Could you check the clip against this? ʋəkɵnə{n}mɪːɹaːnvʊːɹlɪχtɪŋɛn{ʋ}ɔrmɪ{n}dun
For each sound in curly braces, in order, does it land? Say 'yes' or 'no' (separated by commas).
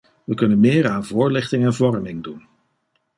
yes, no, no